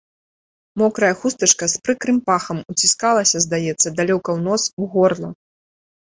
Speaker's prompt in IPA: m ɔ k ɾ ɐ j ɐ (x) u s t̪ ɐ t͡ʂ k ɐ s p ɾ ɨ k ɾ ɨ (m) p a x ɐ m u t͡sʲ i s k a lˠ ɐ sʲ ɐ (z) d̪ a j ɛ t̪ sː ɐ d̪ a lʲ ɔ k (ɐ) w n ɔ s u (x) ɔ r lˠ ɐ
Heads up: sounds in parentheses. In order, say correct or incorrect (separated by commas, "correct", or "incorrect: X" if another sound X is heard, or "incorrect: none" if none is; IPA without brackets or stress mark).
correct, correct, correct, correct, incorrect: ɣ